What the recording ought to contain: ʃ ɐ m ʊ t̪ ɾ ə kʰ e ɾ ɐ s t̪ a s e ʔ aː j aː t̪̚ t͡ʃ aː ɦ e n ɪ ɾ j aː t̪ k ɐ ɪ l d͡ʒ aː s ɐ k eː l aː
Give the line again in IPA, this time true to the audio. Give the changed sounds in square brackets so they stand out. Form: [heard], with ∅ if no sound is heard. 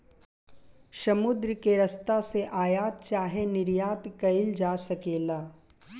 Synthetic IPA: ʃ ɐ m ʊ [d̪] ɾ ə [k] e ɾ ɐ s t̪ a s e ʔ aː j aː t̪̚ t͡ʃ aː ɦ e n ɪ ɾ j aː t̪ k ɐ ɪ l d͡ʒ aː s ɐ k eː l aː